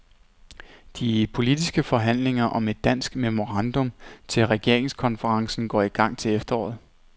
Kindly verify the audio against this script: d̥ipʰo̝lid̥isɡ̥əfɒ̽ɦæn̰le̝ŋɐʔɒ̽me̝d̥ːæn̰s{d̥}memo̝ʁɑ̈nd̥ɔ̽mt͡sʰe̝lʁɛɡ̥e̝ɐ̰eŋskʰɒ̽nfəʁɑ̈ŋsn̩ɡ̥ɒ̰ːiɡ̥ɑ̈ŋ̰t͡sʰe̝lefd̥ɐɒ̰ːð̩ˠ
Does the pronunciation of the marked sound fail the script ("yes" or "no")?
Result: yes